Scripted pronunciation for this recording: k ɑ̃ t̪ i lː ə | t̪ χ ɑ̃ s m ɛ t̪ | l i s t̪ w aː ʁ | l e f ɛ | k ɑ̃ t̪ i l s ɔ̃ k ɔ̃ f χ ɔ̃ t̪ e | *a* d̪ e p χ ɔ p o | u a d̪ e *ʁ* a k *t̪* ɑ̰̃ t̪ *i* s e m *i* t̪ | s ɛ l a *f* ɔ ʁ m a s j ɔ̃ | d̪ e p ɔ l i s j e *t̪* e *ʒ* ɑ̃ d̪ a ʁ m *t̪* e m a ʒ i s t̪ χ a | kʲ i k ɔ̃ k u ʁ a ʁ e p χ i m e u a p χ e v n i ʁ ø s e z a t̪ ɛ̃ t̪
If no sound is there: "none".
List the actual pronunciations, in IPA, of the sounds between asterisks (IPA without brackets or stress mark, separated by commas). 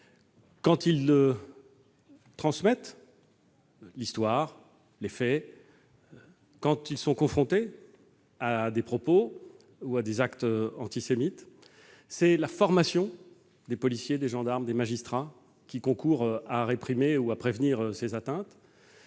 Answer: a, z, t̪, i, i, f, d̪, ʒ, d̪